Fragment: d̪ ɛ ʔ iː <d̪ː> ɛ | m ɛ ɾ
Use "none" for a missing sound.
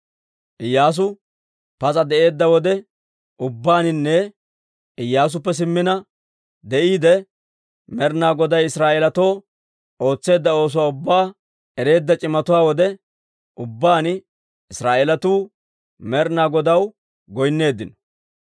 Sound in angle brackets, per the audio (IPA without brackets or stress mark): d̪